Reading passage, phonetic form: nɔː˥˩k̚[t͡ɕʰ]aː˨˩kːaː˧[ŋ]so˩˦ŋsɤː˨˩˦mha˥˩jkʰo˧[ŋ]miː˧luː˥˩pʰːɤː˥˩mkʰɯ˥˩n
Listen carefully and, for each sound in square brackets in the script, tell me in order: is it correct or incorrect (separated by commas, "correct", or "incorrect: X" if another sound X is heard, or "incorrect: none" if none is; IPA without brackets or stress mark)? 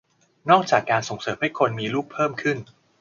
incorrect: t͡ɕ, incorrect: n, incorrect: n